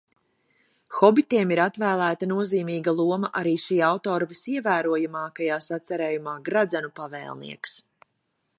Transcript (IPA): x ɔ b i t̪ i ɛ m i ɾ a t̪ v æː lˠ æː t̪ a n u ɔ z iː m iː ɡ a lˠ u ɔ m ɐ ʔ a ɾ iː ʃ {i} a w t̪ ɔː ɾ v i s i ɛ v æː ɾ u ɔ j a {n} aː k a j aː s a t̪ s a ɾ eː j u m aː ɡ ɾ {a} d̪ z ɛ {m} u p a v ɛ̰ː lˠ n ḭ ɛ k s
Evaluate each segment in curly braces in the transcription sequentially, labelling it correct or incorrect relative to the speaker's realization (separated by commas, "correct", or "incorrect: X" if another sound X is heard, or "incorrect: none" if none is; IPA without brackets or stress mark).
incorrect: iː, incorrect: m, correct, incorrect: n